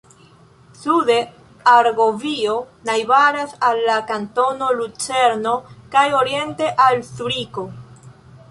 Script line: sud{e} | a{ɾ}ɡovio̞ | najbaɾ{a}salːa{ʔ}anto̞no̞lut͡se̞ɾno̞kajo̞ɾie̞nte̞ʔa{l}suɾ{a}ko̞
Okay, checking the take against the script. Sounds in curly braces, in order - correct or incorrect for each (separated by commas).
correct, correct, correct, incorrect, correct, incorrect